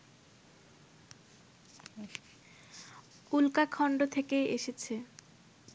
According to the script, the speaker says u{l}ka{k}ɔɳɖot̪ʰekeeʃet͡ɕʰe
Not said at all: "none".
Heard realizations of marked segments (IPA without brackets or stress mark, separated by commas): l, kʰ